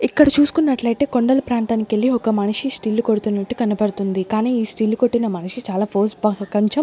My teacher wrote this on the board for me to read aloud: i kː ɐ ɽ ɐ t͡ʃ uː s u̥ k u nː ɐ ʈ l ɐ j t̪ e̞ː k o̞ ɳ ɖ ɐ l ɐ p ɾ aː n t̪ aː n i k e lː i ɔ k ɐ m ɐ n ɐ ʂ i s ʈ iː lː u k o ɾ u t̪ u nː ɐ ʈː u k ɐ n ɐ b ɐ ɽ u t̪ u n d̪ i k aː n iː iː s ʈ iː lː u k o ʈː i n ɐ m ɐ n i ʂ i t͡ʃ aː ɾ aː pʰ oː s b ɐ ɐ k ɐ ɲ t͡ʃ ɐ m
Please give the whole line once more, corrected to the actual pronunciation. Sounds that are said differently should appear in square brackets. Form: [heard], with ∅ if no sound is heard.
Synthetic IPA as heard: i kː ɐ ɽ ɐ t͡ʃ uː s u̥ k u nː ɐ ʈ l ɐ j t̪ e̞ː k o̞ ɳ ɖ ɐ l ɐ p ɾ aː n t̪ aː n i k e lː i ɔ k ɐ m ɐ n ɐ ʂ i s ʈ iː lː u k o [ɽ] u t̪ u nː ɐ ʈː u k ɐ n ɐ [p] ɐ ɽ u t̪ u n d̪ i k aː n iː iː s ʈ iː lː u k o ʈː i n ɐ m ɐ n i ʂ i t͡ʃ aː [l] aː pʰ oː s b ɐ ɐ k ɐ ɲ t͡ʃ ɐ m